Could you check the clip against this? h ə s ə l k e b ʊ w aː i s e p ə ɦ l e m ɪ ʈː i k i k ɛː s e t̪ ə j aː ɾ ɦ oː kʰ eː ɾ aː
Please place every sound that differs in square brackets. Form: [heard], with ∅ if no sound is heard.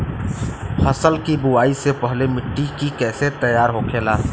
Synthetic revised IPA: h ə s ə l k [i] b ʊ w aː i s e p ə ɦ l e m ɪ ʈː i k i k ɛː s e t̪ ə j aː ɾ ɦ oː kʰ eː [l] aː